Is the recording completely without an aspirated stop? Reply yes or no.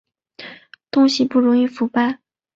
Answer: yes